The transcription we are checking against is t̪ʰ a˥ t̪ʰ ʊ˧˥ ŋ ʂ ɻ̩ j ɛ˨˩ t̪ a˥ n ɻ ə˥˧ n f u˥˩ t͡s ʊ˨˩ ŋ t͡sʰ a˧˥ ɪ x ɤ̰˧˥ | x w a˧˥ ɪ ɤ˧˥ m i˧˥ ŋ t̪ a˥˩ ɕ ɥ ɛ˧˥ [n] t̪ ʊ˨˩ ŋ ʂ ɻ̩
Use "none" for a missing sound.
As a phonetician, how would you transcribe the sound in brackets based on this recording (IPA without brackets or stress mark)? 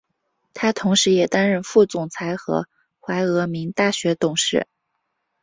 none